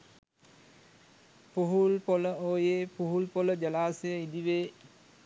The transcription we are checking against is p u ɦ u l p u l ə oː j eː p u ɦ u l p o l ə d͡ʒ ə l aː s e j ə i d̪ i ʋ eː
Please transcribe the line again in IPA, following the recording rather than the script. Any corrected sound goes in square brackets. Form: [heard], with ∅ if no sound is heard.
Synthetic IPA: p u ɦ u l p [o] l ə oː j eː p u ɦ u l p o l ə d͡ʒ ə l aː s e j ə i d̪ i ʋ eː